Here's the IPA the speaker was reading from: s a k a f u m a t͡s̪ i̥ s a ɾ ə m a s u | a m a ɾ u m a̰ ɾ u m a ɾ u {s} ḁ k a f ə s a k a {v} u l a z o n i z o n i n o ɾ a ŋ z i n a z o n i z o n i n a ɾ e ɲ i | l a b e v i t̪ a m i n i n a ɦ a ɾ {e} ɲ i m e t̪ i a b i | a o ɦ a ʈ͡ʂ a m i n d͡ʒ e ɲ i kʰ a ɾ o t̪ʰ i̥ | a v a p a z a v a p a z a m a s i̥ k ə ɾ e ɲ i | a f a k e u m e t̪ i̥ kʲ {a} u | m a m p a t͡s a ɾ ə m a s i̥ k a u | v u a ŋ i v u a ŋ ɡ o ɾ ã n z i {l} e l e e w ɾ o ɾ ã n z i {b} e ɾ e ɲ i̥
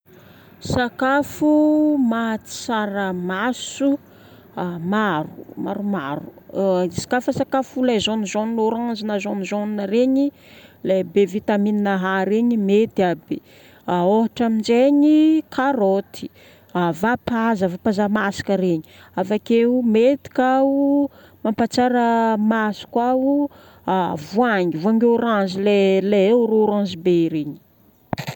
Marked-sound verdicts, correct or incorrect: correct, incorrect: f, correct, correct, correct, correct

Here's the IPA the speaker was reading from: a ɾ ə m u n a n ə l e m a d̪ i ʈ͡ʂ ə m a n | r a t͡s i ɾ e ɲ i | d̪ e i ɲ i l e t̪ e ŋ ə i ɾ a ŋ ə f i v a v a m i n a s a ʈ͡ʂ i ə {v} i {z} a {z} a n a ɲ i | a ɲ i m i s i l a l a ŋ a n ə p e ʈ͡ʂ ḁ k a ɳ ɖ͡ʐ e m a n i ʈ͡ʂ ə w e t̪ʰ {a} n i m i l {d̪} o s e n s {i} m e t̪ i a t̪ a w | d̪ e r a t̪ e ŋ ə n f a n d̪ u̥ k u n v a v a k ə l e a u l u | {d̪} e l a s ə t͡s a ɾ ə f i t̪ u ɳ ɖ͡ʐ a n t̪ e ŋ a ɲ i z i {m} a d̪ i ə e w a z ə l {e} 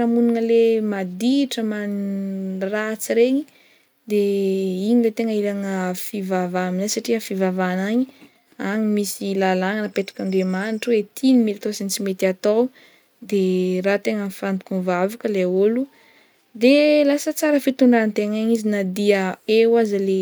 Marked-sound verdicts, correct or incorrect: incorrect: f, incorrect: v, incorrect: v, incorrect: i, incorrect: t̪, correct, correct, incorrect: n, correct

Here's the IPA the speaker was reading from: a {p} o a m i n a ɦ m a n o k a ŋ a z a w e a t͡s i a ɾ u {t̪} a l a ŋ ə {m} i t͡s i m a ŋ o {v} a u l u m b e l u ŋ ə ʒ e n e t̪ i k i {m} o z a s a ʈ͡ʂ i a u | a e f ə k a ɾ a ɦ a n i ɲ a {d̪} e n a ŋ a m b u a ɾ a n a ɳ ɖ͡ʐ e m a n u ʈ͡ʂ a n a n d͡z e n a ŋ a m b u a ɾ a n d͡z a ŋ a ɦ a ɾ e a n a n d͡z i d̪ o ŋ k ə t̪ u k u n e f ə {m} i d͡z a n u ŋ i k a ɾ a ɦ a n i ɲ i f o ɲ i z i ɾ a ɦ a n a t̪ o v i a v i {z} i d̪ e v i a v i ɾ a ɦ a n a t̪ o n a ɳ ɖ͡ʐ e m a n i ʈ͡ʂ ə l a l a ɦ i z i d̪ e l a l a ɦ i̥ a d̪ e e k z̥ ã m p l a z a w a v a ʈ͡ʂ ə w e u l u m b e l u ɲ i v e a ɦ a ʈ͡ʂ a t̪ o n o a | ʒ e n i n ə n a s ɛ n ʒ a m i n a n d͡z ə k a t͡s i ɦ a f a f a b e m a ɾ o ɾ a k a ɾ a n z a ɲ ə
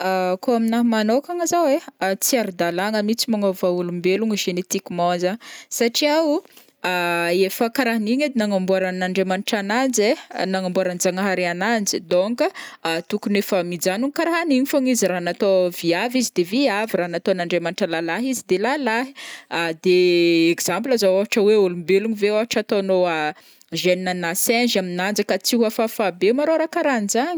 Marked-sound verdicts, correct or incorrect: incorrect: k, incorrect: d̪, correct, correct, correct, correct, correct, correct

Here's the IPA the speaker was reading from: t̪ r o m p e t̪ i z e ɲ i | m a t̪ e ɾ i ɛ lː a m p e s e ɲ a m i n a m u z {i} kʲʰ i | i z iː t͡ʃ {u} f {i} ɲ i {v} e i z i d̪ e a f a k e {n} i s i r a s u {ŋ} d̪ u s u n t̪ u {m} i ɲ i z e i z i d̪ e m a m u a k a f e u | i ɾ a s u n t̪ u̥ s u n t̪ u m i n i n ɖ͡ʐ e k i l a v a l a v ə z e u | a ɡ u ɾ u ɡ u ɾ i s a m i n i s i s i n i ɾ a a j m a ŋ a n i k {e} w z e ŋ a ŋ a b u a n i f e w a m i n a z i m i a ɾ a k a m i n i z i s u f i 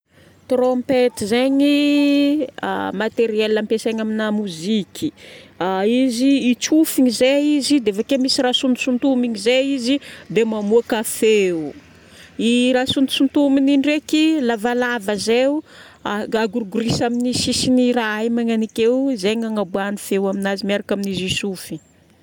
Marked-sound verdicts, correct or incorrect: correct, correct, correct, incorrect: z, incorrect: m, incorrect: n, correct, correct

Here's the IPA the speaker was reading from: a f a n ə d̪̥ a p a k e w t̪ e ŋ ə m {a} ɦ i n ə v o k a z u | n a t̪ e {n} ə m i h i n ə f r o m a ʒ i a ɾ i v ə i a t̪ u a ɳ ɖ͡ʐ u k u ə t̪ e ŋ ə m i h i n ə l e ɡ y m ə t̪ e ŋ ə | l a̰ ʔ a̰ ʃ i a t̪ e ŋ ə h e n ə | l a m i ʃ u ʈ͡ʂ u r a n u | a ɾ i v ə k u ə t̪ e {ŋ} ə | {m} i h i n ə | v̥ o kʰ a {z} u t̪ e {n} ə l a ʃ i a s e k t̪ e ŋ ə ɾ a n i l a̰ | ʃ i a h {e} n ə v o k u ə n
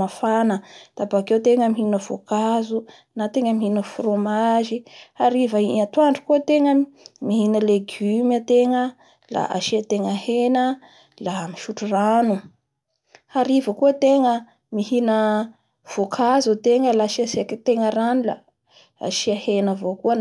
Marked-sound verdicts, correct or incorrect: incorrect: i, incorrect: ŋ, correct, correct, correct, incorrect: ŋ, correct

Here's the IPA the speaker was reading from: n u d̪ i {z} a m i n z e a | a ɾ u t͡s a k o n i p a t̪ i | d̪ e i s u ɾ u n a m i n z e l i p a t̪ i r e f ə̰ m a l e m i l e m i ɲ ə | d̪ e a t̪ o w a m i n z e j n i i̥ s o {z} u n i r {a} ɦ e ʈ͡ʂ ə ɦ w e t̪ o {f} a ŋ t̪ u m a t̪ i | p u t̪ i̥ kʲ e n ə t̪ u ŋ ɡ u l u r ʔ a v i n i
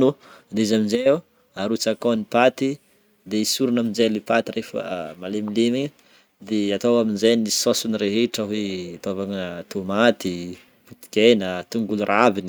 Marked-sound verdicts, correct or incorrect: correct, incorrect: s, incorrect: e, incorrect: v

